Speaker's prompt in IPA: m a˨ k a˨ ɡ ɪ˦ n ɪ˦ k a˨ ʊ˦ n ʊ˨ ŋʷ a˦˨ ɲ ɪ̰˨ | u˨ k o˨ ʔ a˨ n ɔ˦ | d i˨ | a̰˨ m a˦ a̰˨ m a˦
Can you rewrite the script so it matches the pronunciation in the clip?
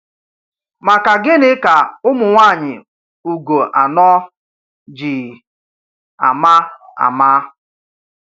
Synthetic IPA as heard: m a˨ k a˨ ɡ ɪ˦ n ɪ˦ k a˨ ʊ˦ m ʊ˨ ŋʷ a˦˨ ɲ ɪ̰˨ | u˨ ɡ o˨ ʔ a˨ n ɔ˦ | d͡ʒ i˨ | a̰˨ m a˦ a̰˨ m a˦

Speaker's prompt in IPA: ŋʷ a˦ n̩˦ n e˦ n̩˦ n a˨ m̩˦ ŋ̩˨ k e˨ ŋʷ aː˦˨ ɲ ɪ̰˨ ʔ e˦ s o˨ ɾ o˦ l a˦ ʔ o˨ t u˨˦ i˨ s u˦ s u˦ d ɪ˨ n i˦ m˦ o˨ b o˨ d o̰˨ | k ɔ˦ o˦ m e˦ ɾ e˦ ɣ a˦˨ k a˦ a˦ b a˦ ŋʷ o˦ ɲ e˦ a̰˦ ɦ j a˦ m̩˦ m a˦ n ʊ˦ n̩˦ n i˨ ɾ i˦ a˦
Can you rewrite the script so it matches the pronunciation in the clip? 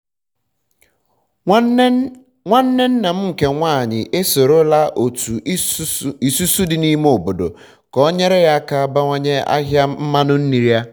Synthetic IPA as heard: ŋʷ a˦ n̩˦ n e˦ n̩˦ n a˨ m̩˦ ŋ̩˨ k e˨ ŋʷ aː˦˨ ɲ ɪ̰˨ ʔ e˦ s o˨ ɾ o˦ l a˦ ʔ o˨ t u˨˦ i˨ s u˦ s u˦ d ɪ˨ n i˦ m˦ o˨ b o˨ d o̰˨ | k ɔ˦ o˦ ɲ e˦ ɾ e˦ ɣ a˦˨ k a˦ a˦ b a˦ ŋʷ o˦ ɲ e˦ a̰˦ ɦ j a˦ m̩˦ m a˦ n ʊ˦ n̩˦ n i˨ ɾ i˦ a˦

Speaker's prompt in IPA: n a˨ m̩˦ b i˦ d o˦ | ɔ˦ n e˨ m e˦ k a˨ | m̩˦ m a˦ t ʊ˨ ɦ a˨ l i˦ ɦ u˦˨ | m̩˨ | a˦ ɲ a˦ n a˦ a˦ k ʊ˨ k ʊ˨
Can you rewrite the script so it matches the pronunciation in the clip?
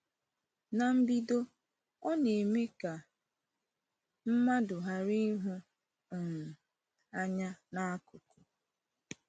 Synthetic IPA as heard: n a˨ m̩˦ b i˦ d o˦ | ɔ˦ n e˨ m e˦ k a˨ | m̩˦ m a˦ d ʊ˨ ɦ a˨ ɾ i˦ ɦ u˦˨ | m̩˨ | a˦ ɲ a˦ n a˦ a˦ k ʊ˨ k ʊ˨

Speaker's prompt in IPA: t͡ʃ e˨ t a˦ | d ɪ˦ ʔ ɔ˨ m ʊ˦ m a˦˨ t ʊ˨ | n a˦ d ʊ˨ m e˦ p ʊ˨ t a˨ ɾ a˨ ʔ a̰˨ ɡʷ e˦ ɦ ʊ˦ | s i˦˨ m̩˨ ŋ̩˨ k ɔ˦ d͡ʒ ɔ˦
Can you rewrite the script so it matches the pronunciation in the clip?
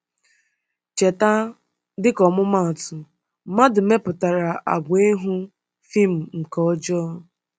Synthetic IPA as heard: t͡ʃ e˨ t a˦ | d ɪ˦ k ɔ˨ m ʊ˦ m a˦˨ t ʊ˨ | m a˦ d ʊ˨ m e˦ p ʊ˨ t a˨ ɾ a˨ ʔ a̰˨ ɡʷ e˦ ɦ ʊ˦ | f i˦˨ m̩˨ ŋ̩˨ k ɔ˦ d͡ʒ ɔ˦

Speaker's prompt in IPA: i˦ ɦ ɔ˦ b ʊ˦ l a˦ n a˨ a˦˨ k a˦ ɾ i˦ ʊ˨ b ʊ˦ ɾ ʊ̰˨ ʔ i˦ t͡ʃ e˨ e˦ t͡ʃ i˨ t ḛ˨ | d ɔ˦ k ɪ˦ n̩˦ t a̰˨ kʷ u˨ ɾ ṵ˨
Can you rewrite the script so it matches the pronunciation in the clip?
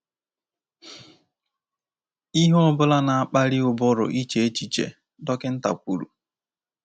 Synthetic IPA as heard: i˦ ɦ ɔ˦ b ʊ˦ l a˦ n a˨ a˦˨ k͡p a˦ ɾ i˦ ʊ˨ b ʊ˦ ɾ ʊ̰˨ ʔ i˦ t͡ʃ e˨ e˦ t͡ʃ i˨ t͡ʃ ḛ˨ | d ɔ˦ k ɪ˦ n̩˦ t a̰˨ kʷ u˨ ɾ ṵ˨

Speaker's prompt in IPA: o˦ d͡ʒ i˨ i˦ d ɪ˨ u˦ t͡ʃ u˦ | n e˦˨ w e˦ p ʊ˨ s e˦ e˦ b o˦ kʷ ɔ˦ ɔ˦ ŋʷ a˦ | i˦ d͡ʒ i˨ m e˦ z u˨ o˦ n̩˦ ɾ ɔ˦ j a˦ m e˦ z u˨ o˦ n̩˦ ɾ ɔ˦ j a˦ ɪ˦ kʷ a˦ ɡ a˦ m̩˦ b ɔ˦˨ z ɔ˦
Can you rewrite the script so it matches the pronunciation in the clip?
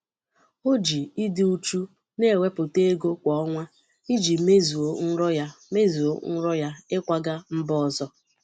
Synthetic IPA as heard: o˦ d͡ʒ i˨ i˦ d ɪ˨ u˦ t͡ʃ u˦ | n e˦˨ w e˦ p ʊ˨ t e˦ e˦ ɡ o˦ kʷ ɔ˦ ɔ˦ ŋʷ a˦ | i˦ d͡ʒ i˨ m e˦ z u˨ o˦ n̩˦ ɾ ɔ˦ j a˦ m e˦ z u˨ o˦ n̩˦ ɾ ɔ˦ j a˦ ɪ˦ kʷ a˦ ɡ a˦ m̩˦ b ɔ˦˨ z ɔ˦

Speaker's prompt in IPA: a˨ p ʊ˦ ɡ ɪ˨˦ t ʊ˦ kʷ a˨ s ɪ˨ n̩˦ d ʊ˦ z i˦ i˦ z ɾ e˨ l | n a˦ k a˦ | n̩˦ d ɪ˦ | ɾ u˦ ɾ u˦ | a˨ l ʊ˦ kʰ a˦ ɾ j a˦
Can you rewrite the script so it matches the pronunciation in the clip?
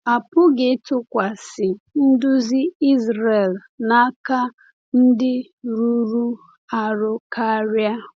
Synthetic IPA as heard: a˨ p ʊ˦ ɡ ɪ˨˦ t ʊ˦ kʷ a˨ s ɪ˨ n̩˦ d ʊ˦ z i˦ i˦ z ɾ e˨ l | n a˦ k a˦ | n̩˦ d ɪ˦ | ɾ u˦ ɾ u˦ | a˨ ɾ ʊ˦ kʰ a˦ ɾ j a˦

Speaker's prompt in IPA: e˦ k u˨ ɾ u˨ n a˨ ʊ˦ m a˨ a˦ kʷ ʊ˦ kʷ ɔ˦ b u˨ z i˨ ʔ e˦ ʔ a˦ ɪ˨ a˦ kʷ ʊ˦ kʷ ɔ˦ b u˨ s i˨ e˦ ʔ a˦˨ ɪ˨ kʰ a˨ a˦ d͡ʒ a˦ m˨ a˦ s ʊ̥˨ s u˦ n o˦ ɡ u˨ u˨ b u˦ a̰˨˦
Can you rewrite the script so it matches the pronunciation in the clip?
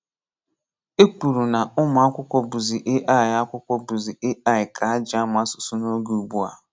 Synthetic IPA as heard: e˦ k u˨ ɾ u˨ n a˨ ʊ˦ m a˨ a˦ kʷ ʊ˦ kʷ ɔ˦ b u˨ z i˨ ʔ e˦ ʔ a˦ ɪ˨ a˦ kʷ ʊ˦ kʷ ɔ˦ b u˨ z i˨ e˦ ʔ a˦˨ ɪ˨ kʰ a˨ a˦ d͡ʒ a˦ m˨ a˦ s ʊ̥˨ s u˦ n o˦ ɡ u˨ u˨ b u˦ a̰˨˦

